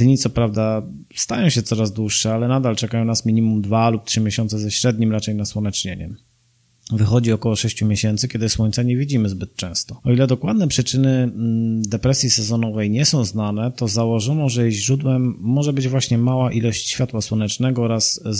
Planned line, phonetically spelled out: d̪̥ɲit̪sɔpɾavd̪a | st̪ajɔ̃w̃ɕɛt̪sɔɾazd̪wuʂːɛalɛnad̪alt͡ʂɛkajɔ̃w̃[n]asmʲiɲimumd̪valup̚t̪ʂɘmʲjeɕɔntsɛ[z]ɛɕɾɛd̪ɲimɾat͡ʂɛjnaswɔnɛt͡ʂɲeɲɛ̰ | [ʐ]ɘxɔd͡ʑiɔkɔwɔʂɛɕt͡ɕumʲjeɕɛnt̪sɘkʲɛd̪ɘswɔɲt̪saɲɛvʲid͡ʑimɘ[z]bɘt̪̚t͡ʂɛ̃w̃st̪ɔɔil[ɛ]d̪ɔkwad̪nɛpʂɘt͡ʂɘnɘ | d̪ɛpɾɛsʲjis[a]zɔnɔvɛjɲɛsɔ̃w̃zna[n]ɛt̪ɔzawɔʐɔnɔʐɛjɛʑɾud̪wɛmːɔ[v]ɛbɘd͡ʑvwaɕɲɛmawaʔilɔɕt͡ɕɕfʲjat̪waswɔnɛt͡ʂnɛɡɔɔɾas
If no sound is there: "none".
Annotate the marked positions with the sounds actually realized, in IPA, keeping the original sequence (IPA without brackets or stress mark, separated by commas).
n, z, v, z, ɛ, ɛ, n, ʐ